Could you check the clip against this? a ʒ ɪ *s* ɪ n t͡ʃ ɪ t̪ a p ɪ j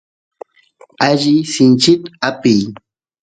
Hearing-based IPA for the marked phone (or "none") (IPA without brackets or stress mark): s